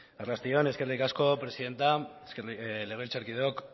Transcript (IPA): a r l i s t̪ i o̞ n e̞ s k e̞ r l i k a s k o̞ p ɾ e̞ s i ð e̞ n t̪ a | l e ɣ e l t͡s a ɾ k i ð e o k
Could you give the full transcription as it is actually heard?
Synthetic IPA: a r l a s t̪ i o̞ n e̞ s k e̞ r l i k a s k o̞ p ɾ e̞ s i ð e̞ n t̪ a | l e ɣ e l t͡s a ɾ k i ð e o k

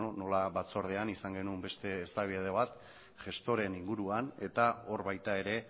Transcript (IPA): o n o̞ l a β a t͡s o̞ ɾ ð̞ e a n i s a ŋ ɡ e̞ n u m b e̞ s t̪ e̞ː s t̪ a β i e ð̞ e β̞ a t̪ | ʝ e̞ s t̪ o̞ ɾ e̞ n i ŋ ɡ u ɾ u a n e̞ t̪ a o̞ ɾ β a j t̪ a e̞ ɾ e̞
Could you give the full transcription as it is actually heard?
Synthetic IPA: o n o̞ l a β a t͡s o̞ ɾ ð̞ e a n i s a ŋ ɡ e̞ n u m b e̞ s t̪ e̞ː s t̪ a β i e ð̞ e β̞ a t̪ | ʝ e̞ s t̪ o̞ ɾ e̞ n i ŋ ɡ u ɾ u a n e̞ t̪ a o̞ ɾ β a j t̪ a e̞ ɾ e̞

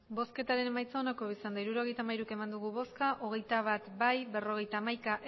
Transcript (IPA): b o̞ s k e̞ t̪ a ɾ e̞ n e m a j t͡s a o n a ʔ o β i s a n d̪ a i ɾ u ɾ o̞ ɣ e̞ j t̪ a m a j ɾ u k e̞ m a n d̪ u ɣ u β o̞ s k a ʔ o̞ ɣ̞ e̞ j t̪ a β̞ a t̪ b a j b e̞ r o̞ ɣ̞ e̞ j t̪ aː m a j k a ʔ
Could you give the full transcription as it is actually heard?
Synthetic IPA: b o̞ s k e̞ t̪ a ɾ e̞ n e m a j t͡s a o n a k o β i s a n d̪ a i ɾ u ɾ o̞ ɣ e̞ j t̪ a m a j ɾ u k e̞ m a n d̪ u ɣ u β o̞ s k a ʔ o̞ ɣ̞ e̞ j t̪ a β̞ a t̪ b a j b e̞ r o̞ ɣ̞ e̞ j t̪ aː m a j k a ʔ

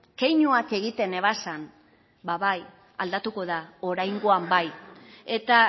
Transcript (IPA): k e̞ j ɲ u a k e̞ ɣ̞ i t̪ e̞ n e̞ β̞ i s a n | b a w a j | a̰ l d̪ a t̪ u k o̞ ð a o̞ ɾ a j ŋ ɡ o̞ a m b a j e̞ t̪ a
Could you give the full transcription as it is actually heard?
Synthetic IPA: k e̞ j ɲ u a k e̞ ɣ̞ i t̪ e̞ n e̞ β̞ a s a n | b a β a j | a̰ l d̪ a t̪ u k o̞ ð a o̞ ɾ a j ŋ ɡ o̞ a m b a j e̞ t̪ a

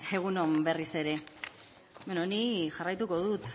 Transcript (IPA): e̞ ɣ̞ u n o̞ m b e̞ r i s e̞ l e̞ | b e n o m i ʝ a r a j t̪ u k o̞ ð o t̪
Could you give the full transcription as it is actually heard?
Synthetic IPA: e̞ ɣ̞ u n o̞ m b e̞ r i s e̞ ɾ e̞ | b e n o n i ʝ a r a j t̪ u k o̞ ð u t̪

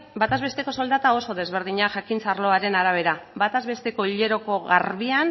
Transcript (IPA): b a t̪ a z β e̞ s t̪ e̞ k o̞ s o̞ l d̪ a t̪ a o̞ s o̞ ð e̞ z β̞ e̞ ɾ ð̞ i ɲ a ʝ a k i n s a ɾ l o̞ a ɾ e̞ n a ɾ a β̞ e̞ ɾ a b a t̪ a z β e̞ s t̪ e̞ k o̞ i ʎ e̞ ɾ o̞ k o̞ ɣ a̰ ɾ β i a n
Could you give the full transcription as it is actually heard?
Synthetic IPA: b a t̪ a z β e̞ s t̪ e̞ k o̞ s o̞ l d̪ a t̪ a o̞ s o̞ ð e̞ z β̞ e̞ ɾ ð̞ i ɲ a ʝ a k i n t͡s a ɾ l o̞ a ɾ e̞ n a ɾ a β̞ e̞ ɾ a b a t̪ a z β e̞ s t̪ e̞ k o̞ i ʎ e̞ ɾ o̞ k o̞ ɣ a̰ ɾ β i a n

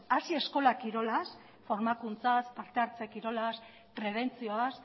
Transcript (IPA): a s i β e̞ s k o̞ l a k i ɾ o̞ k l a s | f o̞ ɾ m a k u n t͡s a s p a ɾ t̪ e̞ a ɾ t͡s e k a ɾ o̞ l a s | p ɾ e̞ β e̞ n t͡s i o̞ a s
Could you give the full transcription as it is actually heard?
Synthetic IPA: a s i e̞ s k o̞ l a k i ɾ o̞ l a s | f o̞ ɾ m a k u n t͡s a s p a ɾ t̪ e̞ a ɾ t͡s e k i ɾ o̞ l a s | p ɾ e̞ β e̞ n t͡s i o̞ a s

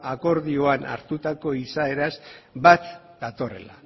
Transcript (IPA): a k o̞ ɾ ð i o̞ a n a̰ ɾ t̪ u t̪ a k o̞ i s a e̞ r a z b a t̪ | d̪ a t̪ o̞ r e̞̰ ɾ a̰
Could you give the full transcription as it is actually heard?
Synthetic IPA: a k o̞ ɾ ð i o̞ a n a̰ ɾ t̪ u t̪ a k o̞ i s a e̞ ɾ a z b a t̪ | d̪ a t̪ o̞ r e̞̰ l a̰

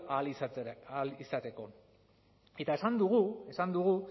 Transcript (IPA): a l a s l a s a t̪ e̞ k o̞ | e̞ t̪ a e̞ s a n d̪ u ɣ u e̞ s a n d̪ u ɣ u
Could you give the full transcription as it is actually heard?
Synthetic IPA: a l i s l i s a t̪ e̞ k o̞ | e̞ t̪ a e̞ s a n d̪ u ɣ u e̞ s a n d̪ u ɣ u

